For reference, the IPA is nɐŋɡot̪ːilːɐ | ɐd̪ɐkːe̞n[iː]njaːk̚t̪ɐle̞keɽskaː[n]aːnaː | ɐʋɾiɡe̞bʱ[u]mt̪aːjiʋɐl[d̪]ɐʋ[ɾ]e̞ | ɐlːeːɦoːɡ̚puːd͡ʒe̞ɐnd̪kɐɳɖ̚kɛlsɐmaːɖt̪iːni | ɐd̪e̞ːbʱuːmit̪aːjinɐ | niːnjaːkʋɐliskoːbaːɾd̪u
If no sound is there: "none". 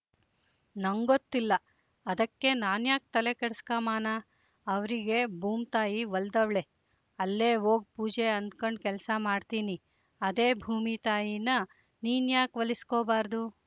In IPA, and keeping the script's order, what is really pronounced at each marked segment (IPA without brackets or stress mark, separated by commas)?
aː, m, uː, d̪, ɭ